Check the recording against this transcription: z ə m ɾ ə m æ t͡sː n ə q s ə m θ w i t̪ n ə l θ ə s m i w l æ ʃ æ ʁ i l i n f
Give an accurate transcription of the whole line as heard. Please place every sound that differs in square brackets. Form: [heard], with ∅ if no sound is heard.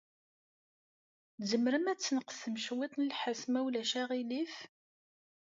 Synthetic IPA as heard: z ə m ɾ ə m æ t͡sː n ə q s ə m [ʃ] w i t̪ n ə l [ħ] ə s m [æ] w l æ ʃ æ ʁ i l i [∅] f

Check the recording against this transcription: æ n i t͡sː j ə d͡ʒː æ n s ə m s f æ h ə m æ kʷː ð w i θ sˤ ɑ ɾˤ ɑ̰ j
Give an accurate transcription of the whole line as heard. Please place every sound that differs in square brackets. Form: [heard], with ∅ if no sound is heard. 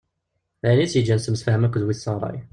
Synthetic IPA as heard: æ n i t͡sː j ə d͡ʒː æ n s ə m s f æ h ə m æ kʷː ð w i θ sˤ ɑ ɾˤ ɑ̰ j

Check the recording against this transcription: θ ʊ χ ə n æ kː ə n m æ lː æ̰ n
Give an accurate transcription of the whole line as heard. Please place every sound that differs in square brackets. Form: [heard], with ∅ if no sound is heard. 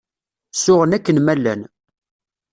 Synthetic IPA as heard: [s] ʊ [ʁ] ə n æ kː ə n m æ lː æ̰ n

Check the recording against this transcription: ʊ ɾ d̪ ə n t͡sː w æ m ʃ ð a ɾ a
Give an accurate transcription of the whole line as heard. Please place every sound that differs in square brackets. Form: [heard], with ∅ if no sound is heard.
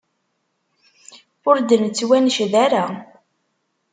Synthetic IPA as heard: ʊ ɾ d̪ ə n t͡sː w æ [n] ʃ ð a ɾ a

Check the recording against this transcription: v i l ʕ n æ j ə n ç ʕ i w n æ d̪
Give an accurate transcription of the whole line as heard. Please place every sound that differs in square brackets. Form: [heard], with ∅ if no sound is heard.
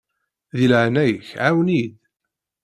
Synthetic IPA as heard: [ð] i l ʕ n æ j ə [∅] ç ʕ [a] w n [i] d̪

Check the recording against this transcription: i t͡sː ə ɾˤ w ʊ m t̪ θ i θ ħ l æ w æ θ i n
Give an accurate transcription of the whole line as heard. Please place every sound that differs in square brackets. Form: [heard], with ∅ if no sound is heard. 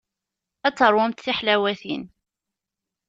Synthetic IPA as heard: [æ] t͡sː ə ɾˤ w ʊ m t̪ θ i [∅] ħ l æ w æ θ i n

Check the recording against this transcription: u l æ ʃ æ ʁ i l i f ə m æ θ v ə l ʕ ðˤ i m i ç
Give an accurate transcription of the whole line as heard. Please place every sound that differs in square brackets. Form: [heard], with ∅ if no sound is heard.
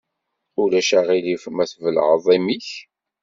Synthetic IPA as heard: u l æ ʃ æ ʁ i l i f ə m æ θ v ə l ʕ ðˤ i m i ç

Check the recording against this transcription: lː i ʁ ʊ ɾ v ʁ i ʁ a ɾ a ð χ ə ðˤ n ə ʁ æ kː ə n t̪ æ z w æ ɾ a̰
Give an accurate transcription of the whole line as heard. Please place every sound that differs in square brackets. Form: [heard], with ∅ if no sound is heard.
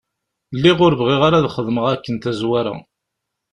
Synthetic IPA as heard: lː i ʁ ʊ ɾ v ʁ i ʁ a ɾ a ð χ ə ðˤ [m] ə ʁ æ kː ə n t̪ æ z w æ ɾ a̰

